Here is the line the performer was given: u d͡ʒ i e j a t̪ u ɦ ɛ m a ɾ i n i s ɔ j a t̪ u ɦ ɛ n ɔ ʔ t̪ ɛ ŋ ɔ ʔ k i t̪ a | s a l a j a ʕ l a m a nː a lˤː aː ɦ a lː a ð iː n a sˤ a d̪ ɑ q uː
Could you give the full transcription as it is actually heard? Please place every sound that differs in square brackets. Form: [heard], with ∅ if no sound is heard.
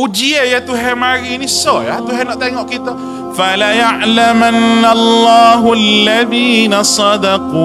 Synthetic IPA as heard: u d͡ʒ i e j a t̪ u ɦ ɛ m a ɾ i n i s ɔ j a t̪ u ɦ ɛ n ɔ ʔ t̪ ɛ ŋ ɔ ʔ k i t̪ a | [f] a l a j a ʕ l a m a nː a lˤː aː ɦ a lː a ð iː n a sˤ [ɑ] d̪ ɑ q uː